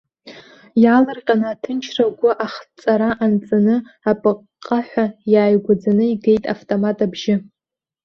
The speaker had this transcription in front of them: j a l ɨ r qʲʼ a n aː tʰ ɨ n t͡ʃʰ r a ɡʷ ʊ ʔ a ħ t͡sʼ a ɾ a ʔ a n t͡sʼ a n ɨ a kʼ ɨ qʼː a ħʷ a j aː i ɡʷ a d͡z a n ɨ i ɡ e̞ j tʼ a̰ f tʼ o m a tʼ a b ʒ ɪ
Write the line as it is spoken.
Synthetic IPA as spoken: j a l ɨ r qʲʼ a n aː tʰ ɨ n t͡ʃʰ r a ɡʷ ʊ ʔ a χ t͡sʼ a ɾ a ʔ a n t͡sʼ a n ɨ a pʼ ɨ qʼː a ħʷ a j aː j ɡʷ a d͡z a n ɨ i ɡ e̞ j tʼ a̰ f tʼ o m a tʼ a b ʒ ɪ